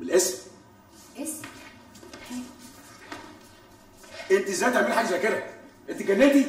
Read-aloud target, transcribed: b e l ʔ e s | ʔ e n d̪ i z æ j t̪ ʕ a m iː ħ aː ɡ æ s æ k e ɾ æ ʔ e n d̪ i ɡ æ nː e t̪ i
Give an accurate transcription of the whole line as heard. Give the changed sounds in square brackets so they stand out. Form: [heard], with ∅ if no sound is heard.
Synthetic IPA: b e l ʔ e s | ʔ e n [t̪] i z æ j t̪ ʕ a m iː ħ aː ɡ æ [z] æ k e ɾ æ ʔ e n [t̪] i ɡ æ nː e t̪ i